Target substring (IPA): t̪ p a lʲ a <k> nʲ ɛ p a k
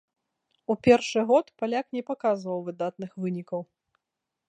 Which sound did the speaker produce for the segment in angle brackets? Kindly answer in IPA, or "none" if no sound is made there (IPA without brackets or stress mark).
k